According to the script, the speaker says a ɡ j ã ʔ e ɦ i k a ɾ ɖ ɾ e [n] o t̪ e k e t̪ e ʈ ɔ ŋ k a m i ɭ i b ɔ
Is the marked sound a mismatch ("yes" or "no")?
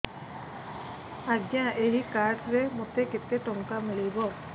yes